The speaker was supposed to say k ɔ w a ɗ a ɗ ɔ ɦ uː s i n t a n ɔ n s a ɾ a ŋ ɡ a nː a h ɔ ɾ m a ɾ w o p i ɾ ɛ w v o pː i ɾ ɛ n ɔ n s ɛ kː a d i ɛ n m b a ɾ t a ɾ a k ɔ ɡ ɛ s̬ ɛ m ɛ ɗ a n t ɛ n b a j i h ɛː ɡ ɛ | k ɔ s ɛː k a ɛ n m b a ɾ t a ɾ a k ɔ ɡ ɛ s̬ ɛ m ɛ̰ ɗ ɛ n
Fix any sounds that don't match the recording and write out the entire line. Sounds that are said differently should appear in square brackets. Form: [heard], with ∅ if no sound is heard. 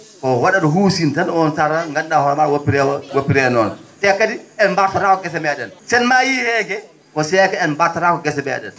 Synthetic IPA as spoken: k ɔ w a ɗ a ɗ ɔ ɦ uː s i n t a n ɔ n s a ɾ a ŋ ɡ a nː a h ɔ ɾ m a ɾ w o p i ɾ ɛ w [w] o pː i ɾ ɛ n ɔ n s ɛ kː a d i ɛ n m b a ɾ t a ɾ a k ɔ ɡ ɛ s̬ ɛ m ɛ ɗ [ɛ] n [s] ɛ n [m] a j i h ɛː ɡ ɛ | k ɔ s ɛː k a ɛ n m b a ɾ t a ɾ a k ɔ ɡ ɛ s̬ ɛ m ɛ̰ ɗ ɛ n